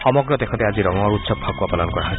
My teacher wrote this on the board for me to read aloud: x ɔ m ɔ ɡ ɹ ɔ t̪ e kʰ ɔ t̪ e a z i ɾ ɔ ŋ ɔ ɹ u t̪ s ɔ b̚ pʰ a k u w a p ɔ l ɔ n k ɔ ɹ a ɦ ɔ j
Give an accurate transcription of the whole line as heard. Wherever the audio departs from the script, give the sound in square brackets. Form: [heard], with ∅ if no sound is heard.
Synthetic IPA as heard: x ɔ m ɔ ɡ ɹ ɔ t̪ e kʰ ɔ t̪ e a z i ɾ ɔ ŋ ɔ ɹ u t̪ s ɔ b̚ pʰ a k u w a p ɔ l ɔ n k ɔ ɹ a ɦ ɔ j

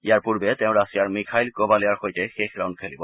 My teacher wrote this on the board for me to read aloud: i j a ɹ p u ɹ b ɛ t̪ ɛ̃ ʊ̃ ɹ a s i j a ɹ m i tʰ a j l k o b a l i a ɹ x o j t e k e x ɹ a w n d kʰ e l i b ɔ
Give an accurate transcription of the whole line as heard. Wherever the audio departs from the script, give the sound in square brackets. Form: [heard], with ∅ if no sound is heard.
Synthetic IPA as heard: i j a ɹ p u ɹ b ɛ t̪ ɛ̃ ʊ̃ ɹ a s i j a ɹ m i [kʰ] a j l k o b a l i a ɹ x o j t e [x] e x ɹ a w n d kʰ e l i b ɔ

